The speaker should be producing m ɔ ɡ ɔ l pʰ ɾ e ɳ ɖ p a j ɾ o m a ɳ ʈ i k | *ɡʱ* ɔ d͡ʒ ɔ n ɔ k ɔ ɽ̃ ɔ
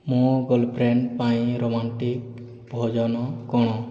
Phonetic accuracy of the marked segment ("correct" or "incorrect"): incorrect